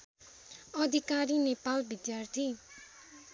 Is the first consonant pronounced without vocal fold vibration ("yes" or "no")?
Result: no